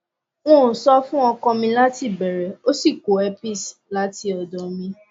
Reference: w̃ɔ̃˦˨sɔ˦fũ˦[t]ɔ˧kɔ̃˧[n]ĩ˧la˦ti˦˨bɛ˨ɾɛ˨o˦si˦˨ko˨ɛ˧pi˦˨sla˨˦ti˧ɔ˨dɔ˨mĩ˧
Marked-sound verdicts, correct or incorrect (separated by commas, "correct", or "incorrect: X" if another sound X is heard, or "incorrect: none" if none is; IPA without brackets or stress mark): incorrect: none, incorrect: m